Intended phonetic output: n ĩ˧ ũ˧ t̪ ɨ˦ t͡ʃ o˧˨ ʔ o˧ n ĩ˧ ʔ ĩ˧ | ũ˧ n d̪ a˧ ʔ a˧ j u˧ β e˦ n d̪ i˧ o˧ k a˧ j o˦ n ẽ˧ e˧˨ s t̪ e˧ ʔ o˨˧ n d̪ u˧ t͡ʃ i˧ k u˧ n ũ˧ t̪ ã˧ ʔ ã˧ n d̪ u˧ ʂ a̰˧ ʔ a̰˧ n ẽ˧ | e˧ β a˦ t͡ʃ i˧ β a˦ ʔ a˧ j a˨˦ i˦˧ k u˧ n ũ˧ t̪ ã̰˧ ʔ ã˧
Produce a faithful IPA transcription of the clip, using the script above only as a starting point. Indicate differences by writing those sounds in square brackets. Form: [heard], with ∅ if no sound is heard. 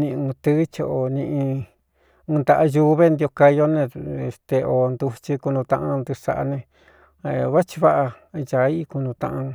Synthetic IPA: n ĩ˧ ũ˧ t̪ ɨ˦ t͡ʃ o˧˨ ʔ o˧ n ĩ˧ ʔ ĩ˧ | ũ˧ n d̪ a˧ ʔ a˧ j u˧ β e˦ n d̪ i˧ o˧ k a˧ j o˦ n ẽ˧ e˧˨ s t̪ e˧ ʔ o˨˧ n d̪ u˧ t͡ʃ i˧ k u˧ n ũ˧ t̪ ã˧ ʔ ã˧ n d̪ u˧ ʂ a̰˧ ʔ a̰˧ n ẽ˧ | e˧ β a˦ t͡ʃ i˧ β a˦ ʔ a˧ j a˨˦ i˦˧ k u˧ n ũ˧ t̪ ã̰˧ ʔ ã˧